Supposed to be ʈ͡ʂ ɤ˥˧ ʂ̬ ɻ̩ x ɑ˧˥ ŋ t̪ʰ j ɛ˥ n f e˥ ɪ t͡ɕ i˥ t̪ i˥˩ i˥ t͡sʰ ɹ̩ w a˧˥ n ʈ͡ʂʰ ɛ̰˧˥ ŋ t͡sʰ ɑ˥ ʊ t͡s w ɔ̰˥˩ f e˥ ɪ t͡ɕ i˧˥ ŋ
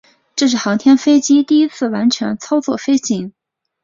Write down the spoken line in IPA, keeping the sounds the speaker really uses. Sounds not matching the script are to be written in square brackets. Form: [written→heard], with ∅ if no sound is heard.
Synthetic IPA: ʈ͡ʂ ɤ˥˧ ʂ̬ ɻ̩ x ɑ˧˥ ŋ t̪ʰ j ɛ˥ n f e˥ ɪ t͡ɕ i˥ t̪ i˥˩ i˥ t͡sʰ ɹ̩ w a˧˥ n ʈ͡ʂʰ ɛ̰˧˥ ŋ t͡sʰ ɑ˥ ʊ t͡s w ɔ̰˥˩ f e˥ ɪ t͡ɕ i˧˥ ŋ

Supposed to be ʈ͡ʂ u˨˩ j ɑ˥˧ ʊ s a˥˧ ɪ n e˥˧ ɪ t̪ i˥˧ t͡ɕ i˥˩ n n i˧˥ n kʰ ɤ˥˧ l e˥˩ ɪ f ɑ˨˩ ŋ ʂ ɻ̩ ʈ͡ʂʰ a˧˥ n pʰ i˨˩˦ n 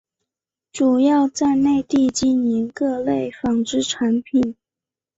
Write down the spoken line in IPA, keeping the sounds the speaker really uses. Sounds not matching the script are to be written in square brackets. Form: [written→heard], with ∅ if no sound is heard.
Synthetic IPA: ʈ͡ʂ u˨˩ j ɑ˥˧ ʊ [s→t͡s] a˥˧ ɪ n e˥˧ ɪ t̪ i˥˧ t͡ɕ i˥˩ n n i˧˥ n [kʰ→k] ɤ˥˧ l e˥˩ ɪ f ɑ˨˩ ŋ [ʂ→ʈ͡ʂ] ɻ̩ ʈ͡ʂʰ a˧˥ n pʰ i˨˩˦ n

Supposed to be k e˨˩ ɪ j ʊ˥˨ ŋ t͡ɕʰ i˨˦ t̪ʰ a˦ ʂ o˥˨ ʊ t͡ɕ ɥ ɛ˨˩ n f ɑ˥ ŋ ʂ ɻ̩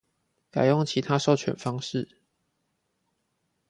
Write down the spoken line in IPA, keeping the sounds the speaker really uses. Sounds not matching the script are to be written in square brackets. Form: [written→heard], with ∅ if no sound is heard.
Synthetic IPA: k [e˨˩→a˨˩] ɪ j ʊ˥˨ ŋ t͡ɕʰ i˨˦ t̪ʰ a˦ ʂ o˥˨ ʊ [t͡ɕ→t͡ɕʰ] ɥ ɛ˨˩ n f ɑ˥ ŋ ʂ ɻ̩

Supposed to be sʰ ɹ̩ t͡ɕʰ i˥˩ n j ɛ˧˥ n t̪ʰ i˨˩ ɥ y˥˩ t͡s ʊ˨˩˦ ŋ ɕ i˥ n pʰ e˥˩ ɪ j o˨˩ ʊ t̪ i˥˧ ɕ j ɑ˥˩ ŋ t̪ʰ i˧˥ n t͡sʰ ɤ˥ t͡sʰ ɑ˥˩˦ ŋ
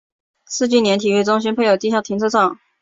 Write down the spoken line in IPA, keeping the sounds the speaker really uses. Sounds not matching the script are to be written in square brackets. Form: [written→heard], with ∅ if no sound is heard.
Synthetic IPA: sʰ ɹ̩ [t͡ɕʰ→t͡ɕ] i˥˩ n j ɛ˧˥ n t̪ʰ i˨˩ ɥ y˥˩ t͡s [ʊ˨˩˦→ʊ˥] ŋ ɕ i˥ n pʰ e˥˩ ɪ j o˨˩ ʊ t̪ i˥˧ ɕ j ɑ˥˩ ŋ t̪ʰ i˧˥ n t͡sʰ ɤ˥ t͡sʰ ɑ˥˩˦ ŋ

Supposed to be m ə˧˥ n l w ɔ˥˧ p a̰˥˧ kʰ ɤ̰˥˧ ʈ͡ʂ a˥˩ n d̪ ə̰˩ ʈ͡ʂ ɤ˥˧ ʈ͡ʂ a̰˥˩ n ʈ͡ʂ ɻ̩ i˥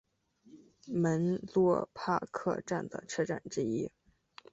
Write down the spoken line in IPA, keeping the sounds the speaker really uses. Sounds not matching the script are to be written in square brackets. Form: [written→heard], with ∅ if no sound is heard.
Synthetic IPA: m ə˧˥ n l w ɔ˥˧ [p→pʰ] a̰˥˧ kʰ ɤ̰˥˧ ʈ͡ʂ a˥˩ n d̪ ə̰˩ [ʈ͡ʂ→ʈ͡ʂʰ] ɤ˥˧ ʈ͡ʂ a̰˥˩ n ʈ͡ʂ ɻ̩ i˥

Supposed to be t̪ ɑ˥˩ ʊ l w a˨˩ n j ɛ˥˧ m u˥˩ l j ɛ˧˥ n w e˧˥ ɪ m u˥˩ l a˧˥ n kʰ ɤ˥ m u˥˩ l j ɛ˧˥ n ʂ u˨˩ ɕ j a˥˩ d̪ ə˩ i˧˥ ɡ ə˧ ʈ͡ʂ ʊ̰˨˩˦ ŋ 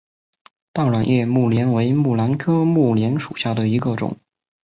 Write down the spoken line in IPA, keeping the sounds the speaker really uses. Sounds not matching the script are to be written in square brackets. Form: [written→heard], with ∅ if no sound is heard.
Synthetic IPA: t̪ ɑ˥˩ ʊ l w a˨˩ n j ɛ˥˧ m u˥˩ l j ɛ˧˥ n w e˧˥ ɪ m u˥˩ l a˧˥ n kʰ ɤ˥ m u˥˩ l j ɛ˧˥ n ʂ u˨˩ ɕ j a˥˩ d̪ ə˩ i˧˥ ɡ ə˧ ʈ͡ʂ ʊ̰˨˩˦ ŋ

